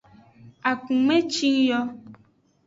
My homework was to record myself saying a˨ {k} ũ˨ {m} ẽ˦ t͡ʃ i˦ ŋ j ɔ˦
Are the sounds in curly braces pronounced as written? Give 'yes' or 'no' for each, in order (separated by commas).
yes, yes